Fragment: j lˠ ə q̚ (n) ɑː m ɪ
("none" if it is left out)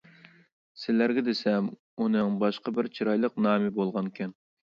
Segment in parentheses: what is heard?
n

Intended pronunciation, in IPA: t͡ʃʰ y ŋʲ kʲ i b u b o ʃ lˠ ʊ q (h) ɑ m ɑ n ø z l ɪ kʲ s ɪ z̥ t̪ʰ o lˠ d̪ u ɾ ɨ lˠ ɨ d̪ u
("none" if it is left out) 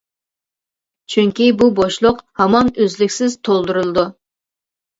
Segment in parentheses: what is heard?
h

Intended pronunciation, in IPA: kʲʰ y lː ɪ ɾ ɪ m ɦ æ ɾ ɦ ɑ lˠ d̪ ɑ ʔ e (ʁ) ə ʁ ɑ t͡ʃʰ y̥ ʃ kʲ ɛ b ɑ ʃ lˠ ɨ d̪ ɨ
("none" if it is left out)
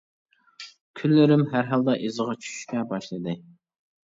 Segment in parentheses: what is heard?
z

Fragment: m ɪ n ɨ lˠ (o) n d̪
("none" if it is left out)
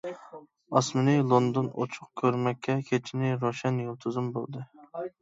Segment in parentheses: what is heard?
o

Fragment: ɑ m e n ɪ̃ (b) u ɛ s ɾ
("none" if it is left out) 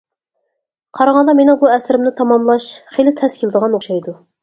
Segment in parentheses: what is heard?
b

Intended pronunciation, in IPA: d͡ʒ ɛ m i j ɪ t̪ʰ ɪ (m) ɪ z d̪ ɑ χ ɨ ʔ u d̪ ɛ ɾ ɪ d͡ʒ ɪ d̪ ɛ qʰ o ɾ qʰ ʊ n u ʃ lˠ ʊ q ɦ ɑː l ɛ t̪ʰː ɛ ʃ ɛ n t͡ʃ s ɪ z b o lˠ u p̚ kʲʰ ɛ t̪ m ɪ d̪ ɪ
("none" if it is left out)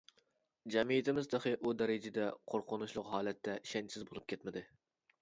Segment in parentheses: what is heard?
m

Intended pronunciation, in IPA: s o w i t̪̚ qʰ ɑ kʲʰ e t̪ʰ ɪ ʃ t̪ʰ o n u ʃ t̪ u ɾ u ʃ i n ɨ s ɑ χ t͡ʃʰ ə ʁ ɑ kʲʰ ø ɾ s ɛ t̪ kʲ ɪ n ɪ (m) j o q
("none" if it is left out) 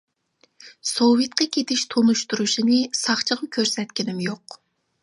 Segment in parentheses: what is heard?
m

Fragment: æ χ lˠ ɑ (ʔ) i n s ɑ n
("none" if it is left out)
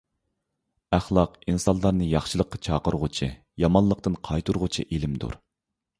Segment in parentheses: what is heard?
q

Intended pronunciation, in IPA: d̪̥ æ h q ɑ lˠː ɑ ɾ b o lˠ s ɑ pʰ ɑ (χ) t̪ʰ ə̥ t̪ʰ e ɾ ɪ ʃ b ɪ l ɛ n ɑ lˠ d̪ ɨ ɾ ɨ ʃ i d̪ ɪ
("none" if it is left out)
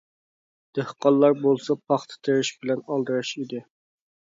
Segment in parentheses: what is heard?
χ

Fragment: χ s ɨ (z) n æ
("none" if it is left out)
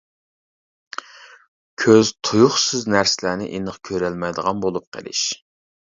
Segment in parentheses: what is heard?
z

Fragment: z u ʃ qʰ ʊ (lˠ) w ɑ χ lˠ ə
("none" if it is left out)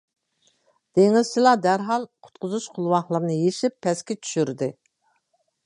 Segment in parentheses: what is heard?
lˠ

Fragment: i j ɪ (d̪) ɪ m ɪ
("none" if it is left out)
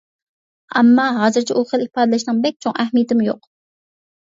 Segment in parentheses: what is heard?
t̪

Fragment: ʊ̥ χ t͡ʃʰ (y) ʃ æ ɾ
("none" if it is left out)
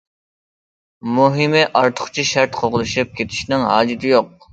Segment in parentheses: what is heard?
i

